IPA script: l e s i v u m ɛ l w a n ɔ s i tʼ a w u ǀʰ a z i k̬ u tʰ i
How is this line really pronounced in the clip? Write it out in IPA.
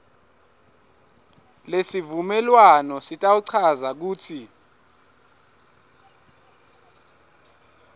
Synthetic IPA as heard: l e s i v u m ɛ l w a n ɔ s i tʼ a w u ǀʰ a z a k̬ uː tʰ i